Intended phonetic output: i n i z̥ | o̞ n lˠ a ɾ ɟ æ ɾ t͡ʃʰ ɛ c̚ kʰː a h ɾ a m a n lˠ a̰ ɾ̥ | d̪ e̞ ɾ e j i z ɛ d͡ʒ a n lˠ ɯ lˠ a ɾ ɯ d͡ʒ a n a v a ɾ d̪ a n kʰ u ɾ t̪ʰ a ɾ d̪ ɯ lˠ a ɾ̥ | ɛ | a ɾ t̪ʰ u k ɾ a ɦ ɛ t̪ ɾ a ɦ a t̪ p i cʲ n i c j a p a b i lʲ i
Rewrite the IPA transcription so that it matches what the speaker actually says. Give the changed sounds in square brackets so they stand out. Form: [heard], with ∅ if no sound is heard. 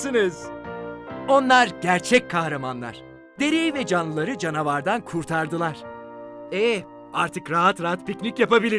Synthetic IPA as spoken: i n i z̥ | o̞ n lˠ a ɾ ɟ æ ɾ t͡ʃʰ ɛ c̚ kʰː a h ɾ a m a n lˠ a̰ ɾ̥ | d̪ e̞ ɾ e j i [v] ɛ d͡ʒ a n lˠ ɯ lˠ a ɾ ɯ d͡ʒ a n a v a ɾ d̪ a n kʰ u ɾ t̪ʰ a ɾ d̪ ɯ lˠ a ɾ̥ | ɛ | a ɾ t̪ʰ [ɯ] k ɾ a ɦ [a] t̪ ɾ a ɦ a t̪ p i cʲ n i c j a p a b i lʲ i